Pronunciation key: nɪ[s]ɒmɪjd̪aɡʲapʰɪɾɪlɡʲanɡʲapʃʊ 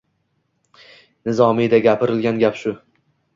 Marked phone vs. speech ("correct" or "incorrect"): incorrect